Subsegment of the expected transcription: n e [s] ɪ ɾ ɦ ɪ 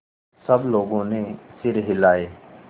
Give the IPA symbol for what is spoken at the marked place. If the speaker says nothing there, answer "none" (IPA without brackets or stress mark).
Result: s